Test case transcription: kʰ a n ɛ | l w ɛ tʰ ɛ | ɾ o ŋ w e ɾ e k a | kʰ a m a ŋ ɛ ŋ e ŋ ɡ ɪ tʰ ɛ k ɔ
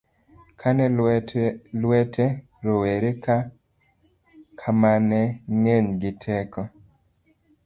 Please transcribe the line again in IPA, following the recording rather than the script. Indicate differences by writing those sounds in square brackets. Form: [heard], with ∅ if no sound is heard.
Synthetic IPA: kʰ a n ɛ | l w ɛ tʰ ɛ | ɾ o [∅] w e ɾ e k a | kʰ a m a [n] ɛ ŋ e [ɲ] ɡ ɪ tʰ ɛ k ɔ